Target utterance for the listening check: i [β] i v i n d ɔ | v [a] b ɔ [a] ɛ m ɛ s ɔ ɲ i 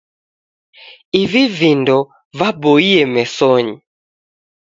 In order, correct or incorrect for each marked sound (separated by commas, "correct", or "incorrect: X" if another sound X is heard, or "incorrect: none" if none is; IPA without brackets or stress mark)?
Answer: incorrect: v, correct, incorrect: i